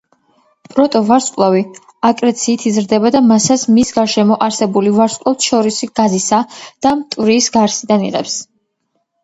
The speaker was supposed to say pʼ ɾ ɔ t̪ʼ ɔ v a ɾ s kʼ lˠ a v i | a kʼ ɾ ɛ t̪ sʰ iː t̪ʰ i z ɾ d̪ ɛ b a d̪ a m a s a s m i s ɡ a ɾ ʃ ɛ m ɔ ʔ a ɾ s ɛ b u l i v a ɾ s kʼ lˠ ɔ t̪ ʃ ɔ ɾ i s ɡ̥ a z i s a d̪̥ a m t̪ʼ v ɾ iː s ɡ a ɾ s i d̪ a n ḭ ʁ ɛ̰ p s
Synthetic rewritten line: pʼ ɾ ɔ t̪ʼ ɔ v a ɾ s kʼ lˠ a v i | a kʼ ɾ ɛ t̪ sʰ iː t̪ʰ i z ɾ d̪ ɛ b a d̪ a m a s a s m i s ɡ a ɾ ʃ ɛ m ɔ ʔ a ɾ s ɛ b u l i v a ɾ s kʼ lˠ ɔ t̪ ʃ ɔ ɾ i s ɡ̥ a z i s a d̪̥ a m t̪ʼ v ɾ iː s ɡ a ɾ s i d̪ a n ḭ ʁ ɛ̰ p s